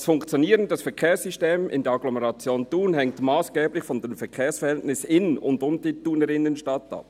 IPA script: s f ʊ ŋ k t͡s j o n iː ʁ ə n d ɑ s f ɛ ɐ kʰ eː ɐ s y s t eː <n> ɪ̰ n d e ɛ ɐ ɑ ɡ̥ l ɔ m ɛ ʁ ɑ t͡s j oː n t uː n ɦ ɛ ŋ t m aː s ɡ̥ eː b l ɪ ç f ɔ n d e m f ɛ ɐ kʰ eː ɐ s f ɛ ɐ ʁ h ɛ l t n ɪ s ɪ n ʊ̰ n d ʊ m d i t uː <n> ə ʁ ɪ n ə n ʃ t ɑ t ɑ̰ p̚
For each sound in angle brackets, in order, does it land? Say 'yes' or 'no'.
no, yes

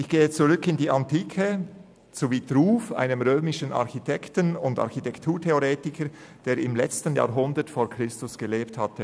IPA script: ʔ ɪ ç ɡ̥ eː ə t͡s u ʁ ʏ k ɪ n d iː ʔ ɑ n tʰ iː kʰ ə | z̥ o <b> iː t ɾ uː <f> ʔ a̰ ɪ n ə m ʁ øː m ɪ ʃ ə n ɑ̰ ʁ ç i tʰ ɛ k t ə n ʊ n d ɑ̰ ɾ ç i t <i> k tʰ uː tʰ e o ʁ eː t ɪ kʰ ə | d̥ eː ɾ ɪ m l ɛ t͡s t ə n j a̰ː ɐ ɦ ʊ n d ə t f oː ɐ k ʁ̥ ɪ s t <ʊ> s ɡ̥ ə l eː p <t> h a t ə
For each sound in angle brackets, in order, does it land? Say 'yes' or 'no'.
no, yes, no, yes, yes

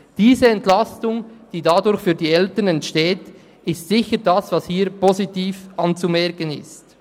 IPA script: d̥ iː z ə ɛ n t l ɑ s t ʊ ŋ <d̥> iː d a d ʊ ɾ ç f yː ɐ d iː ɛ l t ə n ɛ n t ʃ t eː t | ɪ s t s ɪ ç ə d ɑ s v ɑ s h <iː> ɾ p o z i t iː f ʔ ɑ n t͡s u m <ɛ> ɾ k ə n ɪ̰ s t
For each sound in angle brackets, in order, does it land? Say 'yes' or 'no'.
yes, yes, yes

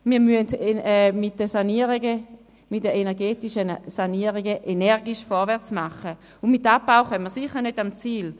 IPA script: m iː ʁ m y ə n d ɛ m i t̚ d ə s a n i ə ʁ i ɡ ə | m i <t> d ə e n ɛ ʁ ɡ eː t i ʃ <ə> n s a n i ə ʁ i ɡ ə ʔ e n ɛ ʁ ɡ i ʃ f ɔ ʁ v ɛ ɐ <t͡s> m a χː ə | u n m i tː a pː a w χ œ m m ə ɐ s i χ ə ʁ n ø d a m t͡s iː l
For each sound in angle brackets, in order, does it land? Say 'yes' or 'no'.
yes, yes, yes

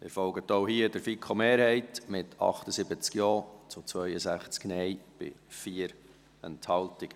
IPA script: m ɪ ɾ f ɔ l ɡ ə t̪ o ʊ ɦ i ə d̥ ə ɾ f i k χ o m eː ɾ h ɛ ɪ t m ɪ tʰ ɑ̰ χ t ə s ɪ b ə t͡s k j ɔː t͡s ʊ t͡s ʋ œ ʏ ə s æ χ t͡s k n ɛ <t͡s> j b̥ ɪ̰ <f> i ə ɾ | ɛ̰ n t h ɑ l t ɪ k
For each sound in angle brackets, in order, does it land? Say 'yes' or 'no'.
no, yes

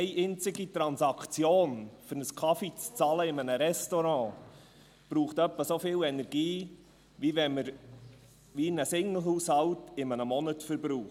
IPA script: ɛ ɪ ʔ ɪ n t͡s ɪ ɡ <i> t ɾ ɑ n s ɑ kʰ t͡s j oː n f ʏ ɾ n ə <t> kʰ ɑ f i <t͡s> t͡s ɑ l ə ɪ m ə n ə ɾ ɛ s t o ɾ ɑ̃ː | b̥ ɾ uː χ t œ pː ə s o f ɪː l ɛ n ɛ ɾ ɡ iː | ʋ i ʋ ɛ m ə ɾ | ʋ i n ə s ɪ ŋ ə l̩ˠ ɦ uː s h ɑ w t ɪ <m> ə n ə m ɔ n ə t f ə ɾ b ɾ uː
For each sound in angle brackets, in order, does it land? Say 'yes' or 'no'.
yes, no, yes, yes

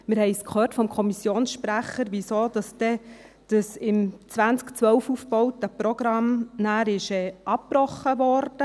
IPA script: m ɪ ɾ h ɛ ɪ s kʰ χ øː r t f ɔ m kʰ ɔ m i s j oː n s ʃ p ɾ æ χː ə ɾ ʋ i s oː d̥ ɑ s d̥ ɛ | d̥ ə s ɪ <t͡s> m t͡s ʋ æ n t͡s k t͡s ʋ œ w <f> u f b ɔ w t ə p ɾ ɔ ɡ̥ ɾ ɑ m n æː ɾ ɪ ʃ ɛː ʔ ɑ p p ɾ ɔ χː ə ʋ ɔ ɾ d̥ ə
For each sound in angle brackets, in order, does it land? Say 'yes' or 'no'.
no, yes

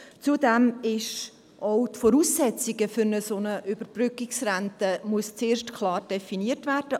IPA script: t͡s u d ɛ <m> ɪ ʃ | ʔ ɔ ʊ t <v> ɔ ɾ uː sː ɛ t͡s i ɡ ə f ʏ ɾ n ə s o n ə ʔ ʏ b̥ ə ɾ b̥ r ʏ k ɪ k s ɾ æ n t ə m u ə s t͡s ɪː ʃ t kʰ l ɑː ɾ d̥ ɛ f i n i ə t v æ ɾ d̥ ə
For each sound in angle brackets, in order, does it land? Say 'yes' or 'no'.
yes, no

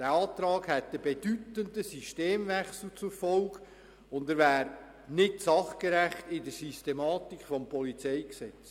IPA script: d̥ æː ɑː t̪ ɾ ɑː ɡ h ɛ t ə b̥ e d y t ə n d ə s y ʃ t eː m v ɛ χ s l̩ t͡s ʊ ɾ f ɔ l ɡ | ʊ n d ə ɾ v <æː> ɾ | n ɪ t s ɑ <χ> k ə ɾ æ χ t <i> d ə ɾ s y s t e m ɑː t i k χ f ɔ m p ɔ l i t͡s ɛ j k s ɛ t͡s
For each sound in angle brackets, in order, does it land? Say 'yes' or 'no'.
yes, yes, no

